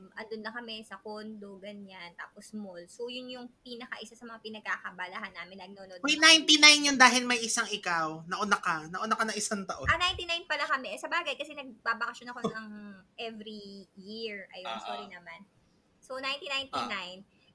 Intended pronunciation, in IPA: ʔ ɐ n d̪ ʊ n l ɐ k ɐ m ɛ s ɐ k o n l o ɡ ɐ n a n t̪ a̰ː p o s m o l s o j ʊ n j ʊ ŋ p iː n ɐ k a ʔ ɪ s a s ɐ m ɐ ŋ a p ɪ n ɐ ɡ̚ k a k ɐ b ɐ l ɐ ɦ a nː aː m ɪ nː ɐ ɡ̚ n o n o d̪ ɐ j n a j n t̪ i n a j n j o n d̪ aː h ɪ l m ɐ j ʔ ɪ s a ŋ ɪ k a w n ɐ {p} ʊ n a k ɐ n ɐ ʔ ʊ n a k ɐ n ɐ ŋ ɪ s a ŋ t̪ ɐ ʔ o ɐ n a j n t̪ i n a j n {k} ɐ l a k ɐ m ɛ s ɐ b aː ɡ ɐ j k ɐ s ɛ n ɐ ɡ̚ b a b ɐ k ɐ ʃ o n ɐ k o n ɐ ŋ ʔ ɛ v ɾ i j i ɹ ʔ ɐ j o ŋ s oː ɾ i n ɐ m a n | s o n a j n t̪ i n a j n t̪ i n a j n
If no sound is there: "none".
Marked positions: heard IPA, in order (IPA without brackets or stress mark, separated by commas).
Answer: ʔ, p